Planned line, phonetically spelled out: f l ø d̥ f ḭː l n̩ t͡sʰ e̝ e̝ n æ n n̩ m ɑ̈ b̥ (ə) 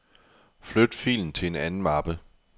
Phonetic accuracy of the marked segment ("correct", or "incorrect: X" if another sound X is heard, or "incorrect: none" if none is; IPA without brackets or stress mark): correct